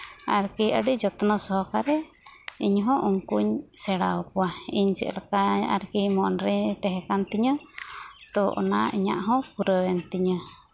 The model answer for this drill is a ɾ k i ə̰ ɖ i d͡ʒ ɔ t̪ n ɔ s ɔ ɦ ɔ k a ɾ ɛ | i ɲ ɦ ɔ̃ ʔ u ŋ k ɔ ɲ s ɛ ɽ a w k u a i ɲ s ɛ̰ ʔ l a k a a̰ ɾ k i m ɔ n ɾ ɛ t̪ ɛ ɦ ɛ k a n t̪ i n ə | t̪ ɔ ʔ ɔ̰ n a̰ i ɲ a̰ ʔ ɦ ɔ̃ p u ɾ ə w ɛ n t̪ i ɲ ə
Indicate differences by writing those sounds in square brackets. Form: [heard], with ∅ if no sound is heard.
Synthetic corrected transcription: a ɾ k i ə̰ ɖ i d͡ʒ ɔ t̪ n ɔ s ɔ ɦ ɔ k a ɾ ɛ | i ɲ ɦ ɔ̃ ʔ u ŋ k [u] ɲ s ɛ ɽ a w k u a i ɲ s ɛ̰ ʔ l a k a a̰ ɾ k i m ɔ n ɾ ɛ t̪ ɛ ɦ ɛ k a n t̪ i [ɲ] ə | t̪ ɔ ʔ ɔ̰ n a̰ i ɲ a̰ ʔ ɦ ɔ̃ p u ɾ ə w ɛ n t̪ i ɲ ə